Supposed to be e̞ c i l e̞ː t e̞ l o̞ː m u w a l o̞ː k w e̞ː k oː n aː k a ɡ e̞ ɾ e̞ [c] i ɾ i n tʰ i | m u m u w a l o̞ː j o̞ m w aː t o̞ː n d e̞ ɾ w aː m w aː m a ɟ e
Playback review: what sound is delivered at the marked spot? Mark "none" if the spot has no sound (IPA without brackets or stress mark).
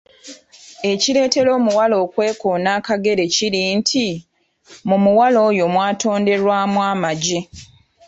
c